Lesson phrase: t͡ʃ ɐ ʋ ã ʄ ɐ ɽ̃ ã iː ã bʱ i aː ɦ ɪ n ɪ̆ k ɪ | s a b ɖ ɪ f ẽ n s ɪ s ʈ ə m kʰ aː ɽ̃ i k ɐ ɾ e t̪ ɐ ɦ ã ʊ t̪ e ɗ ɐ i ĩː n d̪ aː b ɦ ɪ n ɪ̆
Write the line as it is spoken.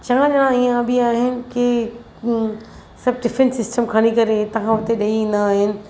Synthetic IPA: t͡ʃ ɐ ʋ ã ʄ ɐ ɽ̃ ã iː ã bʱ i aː ɦ ɪ n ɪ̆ k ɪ | s ɐ b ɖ ɪ f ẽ n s ɪ s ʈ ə m kʰ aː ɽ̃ i k ɐ ɾ e t̪ ɐ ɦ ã ʊ t̪ e ɗ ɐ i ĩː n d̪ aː ɦ ɪ n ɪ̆